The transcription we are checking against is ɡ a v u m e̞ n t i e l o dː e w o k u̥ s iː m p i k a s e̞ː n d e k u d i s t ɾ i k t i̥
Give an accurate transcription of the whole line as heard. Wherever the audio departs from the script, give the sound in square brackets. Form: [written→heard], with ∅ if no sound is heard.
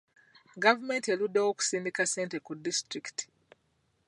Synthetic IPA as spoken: ɡ a v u m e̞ n t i e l [o→u] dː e w o k u̥ s iː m [p→b] i k a s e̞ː n [d→t] e k u d i s t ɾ i k t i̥